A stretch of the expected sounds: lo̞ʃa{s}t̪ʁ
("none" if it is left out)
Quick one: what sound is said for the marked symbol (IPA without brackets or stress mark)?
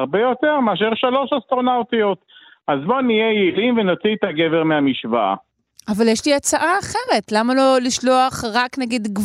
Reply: s